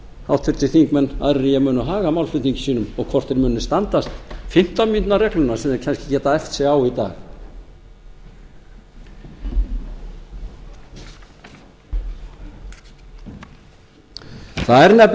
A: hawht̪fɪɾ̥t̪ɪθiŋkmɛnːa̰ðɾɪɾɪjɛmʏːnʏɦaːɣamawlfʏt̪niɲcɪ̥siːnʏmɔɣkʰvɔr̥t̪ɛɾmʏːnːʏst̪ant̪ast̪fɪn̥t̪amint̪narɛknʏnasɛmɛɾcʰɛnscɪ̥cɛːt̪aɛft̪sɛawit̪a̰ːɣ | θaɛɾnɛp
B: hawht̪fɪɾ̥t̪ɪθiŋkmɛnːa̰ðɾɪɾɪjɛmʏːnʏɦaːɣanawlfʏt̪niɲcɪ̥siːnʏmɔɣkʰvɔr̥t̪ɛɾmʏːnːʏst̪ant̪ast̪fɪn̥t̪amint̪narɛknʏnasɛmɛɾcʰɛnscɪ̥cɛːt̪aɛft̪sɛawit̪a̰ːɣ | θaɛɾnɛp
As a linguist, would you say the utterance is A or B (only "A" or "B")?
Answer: A